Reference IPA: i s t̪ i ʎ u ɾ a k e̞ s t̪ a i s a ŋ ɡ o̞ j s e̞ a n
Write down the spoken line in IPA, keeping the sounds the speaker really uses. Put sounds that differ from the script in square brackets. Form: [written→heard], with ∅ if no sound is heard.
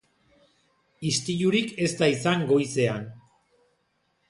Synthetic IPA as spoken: i s t̪ i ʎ u ɾ [a→i] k e̞ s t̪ a i s a ŋ ɡ o̞ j s e̞ a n